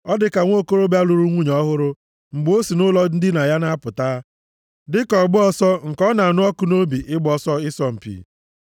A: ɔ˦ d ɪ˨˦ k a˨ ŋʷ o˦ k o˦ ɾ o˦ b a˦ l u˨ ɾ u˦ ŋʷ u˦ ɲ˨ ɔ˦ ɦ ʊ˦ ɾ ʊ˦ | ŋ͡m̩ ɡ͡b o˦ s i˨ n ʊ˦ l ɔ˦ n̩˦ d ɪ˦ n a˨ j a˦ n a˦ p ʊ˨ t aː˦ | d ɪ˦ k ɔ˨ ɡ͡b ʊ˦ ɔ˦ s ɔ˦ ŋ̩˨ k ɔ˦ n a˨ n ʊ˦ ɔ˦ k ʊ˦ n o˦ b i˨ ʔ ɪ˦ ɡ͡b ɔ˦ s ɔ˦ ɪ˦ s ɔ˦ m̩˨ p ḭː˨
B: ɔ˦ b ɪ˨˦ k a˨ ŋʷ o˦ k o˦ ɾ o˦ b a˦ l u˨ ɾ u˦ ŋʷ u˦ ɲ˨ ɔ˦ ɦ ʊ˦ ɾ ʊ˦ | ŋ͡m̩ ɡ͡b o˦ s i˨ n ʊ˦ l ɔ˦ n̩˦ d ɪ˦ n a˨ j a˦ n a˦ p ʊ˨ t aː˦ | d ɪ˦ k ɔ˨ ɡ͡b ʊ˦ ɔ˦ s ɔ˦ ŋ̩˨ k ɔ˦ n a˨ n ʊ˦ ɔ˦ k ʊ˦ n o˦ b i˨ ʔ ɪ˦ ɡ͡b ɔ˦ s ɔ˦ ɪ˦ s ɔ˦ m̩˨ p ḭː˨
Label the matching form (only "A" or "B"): A